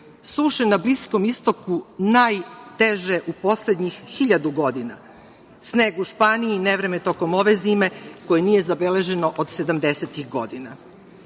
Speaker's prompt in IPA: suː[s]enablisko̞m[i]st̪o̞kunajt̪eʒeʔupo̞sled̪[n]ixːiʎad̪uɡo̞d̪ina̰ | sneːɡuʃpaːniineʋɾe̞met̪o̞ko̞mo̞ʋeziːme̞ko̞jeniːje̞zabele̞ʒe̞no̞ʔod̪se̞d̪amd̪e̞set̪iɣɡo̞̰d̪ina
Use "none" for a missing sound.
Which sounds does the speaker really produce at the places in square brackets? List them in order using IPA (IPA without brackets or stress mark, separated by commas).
ʃ, i, ɲ